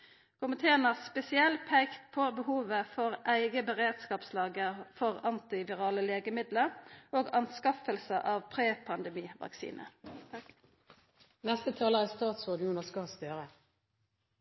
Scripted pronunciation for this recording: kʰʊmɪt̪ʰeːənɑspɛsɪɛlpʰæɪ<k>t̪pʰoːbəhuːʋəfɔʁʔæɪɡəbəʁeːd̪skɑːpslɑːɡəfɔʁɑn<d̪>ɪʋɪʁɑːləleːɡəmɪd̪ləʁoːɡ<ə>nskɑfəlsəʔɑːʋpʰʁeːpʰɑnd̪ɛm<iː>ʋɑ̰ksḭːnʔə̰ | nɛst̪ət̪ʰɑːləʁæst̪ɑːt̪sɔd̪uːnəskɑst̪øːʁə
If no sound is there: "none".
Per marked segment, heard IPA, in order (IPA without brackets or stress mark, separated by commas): k, t̪, ɑ, iː